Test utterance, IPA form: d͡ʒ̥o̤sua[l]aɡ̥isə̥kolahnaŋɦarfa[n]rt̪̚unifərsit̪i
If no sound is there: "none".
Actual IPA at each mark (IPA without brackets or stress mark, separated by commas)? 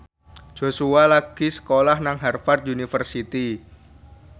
l, none